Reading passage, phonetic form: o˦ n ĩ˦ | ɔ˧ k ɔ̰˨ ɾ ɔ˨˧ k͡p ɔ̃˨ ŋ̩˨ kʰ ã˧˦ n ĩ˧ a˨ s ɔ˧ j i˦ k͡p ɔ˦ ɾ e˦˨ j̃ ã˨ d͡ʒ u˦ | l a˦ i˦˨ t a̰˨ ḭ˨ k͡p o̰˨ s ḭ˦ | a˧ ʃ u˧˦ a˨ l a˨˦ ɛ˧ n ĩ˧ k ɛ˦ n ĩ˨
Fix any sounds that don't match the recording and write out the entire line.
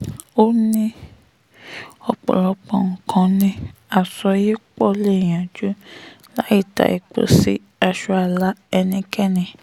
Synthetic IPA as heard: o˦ n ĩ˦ | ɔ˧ k͡p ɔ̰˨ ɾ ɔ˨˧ k͡p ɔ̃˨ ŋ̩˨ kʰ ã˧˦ n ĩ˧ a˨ s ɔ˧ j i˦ k͡p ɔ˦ l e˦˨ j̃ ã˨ d͡ʒ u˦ | l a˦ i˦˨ t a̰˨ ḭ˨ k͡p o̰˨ s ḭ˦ | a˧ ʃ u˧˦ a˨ l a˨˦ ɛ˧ n ĩ˧ k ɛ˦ n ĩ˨